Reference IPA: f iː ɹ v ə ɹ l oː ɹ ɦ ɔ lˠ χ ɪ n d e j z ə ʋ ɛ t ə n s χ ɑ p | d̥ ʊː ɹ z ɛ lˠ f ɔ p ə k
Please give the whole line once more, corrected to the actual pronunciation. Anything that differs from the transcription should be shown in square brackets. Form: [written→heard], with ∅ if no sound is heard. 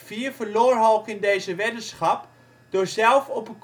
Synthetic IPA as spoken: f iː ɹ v ə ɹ l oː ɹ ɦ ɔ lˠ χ ɪ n d e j z ə ʋ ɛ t ə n s χ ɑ p | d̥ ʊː ɹ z ɛ lˠ f ɔ p ə k